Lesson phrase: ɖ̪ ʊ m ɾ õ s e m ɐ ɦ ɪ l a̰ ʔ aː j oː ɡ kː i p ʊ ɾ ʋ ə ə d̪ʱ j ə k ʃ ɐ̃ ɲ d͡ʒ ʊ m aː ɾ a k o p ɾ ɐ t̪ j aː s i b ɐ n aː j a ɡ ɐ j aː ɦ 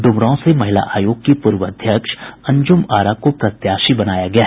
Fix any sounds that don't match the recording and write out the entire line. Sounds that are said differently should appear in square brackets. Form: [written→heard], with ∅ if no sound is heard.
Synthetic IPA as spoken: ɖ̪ ʊ m ɾ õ s e m ɐ ɦ ɪ l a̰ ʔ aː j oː ɡ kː i p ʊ ɾ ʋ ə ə d̪ʱ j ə k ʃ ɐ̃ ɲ d͡ʒ ʊ m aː ɾ a k o p ɾ ɐ t̪ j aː [s→ʃ] i b ɐ n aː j a ɡ ɐ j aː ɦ